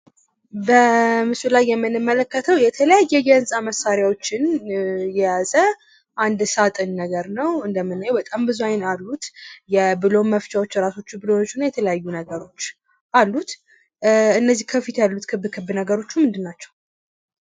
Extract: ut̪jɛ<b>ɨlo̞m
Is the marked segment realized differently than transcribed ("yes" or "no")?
no